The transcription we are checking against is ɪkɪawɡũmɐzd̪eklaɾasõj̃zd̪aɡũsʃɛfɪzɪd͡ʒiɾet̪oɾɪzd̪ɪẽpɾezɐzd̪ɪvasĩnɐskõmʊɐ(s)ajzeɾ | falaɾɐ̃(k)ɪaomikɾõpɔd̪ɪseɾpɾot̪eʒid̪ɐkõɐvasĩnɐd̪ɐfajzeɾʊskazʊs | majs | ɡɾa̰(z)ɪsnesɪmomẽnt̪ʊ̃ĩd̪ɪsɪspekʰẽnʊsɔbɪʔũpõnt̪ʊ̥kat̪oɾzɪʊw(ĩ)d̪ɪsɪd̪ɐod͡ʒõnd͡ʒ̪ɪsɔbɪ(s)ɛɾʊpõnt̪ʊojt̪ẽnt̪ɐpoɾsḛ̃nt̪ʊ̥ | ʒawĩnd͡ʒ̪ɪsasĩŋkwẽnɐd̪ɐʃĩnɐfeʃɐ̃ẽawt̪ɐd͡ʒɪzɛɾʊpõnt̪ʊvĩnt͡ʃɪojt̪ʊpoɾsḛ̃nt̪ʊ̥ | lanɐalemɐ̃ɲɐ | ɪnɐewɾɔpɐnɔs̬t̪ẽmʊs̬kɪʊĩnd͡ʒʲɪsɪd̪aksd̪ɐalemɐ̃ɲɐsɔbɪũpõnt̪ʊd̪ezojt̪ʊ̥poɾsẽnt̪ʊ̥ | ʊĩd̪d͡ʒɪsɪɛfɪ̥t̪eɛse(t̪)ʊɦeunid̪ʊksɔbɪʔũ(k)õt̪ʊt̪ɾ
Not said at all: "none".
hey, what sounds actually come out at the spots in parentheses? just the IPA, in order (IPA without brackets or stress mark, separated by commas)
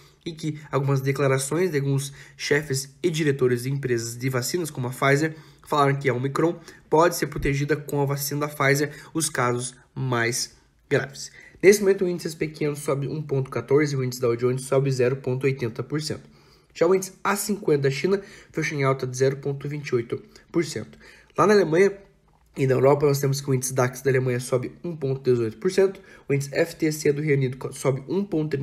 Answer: f, k, v, ĩ, z, d̪, p